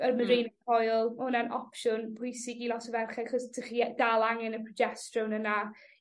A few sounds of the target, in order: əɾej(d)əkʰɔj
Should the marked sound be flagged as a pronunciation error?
yes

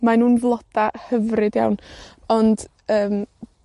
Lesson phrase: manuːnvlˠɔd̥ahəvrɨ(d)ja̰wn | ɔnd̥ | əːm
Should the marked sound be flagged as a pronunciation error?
no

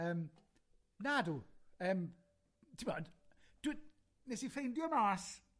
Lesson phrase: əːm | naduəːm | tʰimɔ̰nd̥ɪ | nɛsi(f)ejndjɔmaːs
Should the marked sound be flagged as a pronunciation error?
no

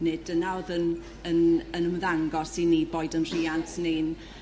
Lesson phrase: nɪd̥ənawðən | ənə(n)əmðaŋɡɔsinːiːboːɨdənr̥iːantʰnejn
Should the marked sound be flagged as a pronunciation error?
no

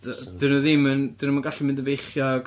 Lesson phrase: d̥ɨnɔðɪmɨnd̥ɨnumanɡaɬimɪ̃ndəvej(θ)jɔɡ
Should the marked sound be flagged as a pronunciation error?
yes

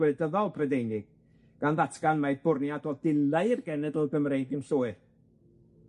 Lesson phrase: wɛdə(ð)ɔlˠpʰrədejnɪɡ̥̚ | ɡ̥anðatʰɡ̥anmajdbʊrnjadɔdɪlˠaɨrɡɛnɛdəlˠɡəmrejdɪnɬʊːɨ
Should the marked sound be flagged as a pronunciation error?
no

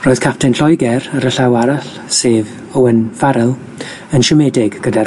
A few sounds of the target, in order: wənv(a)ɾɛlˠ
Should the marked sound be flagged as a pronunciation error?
no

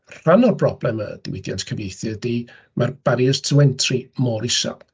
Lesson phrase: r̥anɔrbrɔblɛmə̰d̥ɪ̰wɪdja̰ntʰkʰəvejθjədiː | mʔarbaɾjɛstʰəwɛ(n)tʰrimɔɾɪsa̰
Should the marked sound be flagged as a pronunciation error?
no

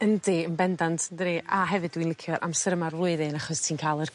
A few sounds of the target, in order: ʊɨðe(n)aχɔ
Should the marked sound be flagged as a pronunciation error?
no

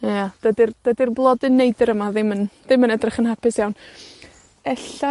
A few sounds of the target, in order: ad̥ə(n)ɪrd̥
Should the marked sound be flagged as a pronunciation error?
yes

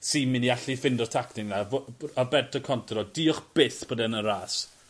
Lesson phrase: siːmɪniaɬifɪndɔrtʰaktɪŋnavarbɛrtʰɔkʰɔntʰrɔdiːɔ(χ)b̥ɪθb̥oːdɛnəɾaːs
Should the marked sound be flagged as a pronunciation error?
no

